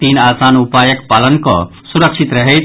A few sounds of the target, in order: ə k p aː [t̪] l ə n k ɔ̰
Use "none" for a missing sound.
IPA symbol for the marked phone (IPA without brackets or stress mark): none